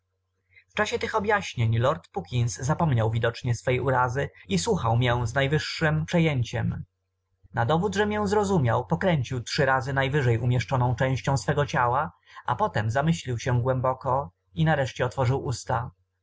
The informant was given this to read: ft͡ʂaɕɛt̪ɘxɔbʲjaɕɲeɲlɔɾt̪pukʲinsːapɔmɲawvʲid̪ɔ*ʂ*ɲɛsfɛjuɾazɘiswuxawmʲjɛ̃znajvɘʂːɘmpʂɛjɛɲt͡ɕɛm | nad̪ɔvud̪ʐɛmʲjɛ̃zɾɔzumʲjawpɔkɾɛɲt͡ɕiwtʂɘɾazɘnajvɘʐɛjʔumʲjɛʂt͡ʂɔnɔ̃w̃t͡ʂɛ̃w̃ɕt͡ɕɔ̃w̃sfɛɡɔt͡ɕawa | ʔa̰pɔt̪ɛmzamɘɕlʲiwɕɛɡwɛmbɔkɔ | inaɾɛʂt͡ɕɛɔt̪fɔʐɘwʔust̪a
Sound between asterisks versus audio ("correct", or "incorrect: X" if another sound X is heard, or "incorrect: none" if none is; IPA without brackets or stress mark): incorrect: t͡ʂ